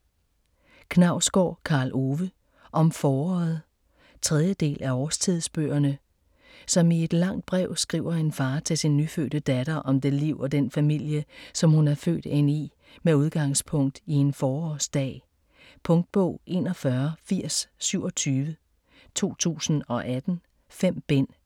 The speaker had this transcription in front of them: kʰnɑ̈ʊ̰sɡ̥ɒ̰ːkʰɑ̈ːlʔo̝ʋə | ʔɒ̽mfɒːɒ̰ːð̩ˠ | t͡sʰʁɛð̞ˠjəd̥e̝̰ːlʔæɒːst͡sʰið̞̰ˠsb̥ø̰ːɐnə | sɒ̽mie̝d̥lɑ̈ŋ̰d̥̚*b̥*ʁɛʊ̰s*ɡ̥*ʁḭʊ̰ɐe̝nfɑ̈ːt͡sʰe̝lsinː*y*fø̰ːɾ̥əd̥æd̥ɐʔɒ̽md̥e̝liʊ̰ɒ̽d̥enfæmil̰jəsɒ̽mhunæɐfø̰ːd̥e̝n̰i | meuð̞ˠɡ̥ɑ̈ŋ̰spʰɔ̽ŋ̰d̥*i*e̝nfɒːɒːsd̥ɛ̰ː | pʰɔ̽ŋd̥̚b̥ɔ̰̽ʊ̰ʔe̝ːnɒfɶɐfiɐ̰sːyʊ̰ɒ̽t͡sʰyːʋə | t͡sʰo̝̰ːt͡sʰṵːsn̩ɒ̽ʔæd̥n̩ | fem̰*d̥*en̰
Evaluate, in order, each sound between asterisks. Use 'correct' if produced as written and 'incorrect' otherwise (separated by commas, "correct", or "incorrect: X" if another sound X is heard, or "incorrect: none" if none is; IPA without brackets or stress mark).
correct, correct, correct, correct, incorrect: b̥